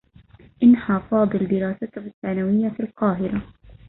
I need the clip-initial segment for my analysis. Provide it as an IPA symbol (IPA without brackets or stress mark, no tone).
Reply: ʔ